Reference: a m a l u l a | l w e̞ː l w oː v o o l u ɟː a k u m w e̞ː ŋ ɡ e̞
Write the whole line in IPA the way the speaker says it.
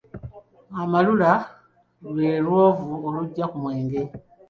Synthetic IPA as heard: a m a l u l a | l w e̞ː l w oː v u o l u ɟː a k u m w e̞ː ŋ ɡ e̞